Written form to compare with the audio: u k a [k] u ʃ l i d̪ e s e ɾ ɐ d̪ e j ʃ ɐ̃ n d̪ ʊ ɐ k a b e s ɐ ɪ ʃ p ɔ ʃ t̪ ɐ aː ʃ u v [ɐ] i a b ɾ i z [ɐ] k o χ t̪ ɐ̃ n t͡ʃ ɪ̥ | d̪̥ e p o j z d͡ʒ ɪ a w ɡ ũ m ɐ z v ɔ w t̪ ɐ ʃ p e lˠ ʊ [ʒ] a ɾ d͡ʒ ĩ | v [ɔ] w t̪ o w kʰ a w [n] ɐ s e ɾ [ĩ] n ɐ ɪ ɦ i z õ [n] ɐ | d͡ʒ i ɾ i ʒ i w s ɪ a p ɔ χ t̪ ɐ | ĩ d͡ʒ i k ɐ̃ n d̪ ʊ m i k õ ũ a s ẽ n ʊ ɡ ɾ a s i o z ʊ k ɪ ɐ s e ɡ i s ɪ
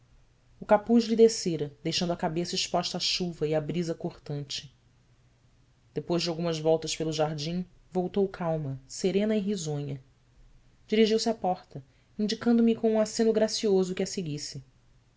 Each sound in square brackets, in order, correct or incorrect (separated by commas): incorrect, correct, correct, correct, incorrect, incorrect, incorrect, incorrect